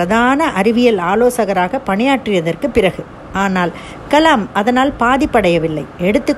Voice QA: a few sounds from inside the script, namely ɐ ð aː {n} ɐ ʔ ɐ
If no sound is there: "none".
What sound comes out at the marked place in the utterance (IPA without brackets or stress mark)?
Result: n